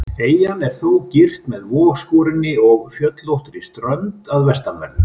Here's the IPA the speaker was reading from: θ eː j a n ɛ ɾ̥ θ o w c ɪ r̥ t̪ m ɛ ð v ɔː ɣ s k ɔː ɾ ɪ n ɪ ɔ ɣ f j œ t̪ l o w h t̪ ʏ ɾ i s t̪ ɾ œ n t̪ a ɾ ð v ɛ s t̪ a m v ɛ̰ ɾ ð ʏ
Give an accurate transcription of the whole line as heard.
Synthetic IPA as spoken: θ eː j a n ɛ ɾ̥ θ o w c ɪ r̥ t̪ m ɛ ð v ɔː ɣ s k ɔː ɾ ɪ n ɪ ɔ ɣ f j œ t̪ l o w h t̪ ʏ ɾ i s t̪ ɾ œ n t̪ a ð v ɛ s t̪ a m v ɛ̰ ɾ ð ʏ

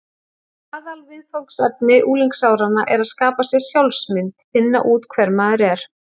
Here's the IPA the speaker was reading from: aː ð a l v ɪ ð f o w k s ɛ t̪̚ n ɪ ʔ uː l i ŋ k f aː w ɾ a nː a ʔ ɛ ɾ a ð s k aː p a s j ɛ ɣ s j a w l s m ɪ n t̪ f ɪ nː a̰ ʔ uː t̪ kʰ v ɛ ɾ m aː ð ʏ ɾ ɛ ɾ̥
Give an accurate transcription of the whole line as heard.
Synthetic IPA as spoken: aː ð a l v ɪ ð f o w k s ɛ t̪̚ n ɪ ʔ uː l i ŋ k s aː w ɾ a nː a ʔ ɛ ɾ a ð s k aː p a s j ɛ ɣ s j a w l s m ɪ n t̪ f ɪ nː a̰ ʔ uː t̪ kʰ v ɛ ɾ m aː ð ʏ ɾ ɛ ɾ̥

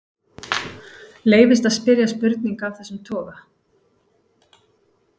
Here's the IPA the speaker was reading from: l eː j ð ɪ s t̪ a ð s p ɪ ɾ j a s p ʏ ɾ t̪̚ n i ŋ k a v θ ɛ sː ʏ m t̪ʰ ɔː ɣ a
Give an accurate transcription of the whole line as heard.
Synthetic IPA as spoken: l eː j v ɪ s t̪ a ð s p ɪ ɾ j a s p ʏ ɾ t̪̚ n i ŋ k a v θ ɛ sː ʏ m t̪ʰ ɔː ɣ a

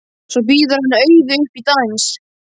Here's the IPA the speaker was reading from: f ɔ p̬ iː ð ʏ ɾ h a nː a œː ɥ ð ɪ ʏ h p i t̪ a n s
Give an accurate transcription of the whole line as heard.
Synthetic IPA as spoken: s ɔ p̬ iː ð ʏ ɾ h a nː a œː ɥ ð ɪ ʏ h p i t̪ a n s

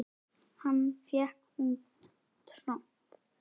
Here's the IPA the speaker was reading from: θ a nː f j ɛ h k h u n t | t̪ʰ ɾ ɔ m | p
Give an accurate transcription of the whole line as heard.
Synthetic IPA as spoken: h a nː f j ɛ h k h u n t | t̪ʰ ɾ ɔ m | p

